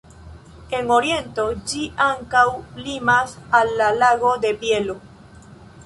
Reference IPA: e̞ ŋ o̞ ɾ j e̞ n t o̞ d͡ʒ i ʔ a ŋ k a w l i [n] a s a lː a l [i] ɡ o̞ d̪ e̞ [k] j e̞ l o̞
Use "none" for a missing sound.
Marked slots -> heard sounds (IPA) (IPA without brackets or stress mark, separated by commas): m, a, p